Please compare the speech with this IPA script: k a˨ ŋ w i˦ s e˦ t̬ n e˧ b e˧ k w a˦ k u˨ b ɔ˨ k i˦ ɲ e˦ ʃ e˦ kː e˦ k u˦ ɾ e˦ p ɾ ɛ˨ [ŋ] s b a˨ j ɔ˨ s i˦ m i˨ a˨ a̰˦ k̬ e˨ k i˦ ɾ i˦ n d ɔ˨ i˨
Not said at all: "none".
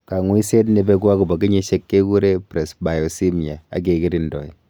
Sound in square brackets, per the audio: none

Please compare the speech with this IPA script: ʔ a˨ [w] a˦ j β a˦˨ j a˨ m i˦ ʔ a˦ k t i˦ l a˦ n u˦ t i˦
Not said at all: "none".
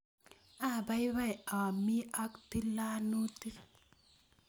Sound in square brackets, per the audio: b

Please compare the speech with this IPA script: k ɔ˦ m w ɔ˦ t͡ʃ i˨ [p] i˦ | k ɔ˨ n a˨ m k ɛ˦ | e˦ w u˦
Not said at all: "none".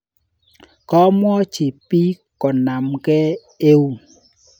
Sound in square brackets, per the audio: p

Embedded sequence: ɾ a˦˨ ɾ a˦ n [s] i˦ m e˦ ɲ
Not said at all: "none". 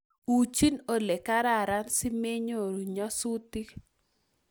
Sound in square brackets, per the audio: s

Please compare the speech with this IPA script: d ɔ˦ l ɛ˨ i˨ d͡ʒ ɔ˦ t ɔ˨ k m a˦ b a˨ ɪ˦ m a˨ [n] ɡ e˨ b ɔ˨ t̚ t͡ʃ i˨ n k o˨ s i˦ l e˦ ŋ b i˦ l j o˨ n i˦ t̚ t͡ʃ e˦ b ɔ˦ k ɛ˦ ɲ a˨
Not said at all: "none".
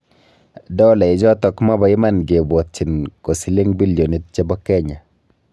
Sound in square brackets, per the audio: n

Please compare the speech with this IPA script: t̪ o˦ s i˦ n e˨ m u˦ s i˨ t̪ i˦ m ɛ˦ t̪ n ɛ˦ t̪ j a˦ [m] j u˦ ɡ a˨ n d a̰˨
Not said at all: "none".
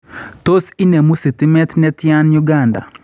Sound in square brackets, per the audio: n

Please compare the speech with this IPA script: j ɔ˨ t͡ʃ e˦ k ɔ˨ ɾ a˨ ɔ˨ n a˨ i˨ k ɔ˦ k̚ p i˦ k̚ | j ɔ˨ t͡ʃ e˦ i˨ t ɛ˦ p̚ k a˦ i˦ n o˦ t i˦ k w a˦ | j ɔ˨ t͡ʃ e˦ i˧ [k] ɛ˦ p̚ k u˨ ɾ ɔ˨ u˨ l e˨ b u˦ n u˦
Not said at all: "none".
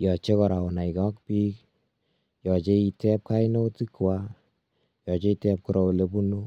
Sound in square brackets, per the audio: t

